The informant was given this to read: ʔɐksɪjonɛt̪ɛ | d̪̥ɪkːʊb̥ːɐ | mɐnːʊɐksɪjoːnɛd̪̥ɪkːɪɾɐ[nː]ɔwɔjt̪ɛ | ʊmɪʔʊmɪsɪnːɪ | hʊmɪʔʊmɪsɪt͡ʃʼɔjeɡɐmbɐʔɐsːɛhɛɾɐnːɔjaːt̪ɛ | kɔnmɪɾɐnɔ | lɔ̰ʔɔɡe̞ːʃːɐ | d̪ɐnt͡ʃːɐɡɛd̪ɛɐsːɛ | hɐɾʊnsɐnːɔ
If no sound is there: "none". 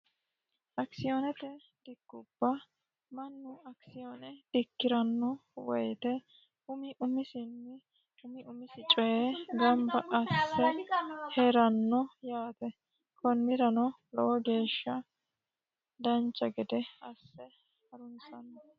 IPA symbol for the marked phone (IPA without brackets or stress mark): nː